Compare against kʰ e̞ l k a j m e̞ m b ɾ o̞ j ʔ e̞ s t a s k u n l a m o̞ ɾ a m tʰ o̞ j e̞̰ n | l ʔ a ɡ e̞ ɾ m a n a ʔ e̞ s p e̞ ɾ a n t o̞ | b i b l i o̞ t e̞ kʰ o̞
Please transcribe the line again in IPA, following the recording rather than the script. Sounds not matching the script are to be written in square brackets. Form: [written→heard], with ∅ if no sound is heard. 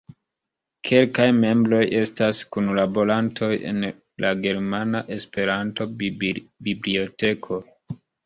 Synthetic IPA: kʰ e̞ l k a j m e̞ m b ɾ o̞ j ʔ e̞ s t a s k u n l a [m→b] o̞ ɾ a [m→n] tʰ o̞ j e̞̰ n | l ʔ a ɡ e̞ ɾ m a n a ʔ e̞ s p e̞ ɾ a n t o̞ | b i b l i o̞ t e̞ kʰ o̞